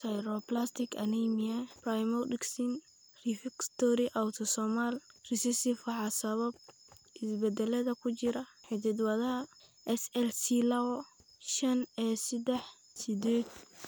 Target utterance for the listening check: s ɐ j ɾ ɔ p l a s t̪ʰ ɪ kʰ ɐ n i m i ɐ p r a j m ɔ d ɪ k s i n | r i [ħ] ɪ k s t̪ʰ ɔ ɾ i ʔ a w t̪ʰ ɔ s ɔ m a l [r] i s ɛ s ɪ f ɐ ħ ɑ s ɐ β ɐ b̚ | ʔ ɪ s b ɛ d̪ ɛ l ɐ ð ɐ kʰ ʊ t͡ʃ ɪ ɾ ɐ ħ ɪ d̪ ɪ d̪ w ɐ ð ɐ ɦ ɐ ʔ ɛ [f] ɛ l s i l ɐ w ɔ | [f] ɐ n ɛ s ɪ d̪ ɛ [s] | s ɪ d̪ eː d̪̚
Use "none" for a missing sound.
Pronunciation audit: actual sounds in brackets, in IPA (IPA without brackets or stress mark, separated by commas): f, r, s, ʃ, ħ